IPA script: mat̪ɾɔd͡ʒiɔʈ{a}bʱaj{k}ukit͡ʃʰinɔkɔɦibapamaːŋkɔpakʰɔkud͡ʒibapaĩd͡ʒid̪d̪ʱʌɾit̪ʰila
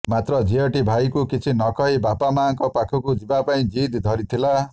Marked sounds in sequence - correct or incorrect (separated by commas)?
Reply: incorrect, correct